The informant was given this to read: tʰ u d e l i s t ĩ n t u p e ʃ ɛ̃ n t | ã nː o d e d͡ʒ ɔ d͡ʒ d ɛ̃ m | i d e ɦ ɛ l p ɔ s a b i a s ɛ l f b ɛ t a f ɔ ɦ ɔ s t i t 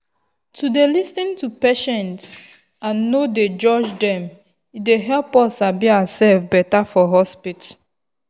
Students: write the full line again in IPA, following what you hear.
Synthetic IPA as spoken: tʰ u d e l i s t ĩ n t u p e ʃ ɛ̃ n t | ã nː o d e d͡ʒ ɔ d͡ʒ d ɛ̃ m | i d e ɦ ɛ l p ɔ s a b i a s ɛ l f b ɛ t a f ɔ ɦ ɔ s p i t